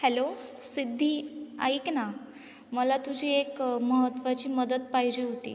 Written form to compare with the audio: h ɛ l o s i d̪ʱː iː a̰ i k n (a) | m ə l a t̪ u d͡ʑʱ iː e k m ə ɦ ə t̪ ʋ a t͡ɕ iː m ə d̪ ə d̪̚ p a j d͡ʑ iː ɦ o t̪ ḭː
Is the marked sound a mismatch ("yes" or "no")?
no